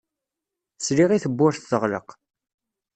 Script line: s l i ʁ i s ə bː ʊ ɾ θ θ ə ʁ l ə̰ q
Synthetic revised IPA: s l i ʁ i θ ə bː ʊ ɾ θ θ ə ʁ l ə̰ q